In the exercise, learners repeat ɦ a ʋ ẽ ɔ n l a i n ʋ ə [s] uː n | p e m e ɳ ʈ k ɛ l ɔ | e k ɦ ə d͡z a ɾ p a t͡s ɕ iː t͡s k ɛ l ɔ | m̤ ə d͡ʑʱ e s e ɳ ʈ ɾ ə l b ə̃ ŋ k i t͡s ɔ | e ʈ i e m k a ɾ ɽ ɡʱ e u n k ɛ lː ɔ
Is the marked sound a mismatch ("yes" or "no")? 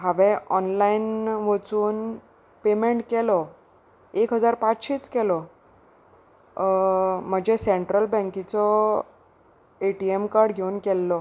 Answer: yes